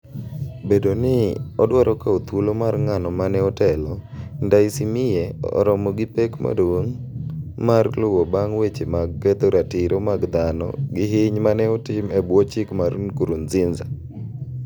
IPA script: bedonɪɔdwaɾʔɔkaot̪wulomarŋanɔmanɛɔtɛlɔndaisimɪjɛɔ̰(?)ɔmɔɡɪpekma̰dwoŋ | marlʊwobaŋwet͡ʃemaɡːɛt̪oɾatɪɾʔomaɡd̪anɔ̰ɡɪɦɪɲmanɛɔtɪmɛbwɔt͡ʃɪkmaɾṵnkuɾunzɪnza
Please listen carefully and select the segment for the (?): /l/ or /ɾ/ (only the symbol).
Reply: ɾ